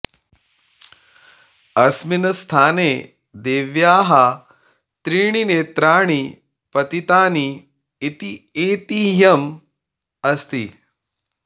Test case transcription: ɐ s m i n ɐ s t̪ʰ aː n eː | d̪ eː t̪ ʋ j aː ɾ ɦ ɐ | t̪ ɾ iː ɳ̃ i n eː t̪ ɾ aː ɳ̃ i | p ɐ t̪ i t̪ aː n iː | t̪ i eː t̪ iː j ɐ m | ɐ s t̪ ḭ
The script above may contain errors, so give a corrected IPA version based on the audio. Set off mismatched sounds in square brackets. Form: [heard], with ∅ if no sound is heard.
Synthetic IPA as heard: ɐ s m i n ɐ s t̪ʰ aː n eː | d̪ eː [∅] ʋ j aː [∅] ɦ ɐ | t̪ ɾ iː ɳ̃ i n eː t̪ ɾ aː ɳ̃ i | p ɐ t̪ i t̪ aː n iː | t̪ i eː t̪ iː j ɐ m | ɐ s t̪ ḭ